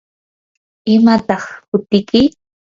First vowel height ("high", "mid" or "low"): high